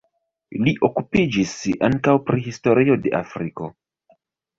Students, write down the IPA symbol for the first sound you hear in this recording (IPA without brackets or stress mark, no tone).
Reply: l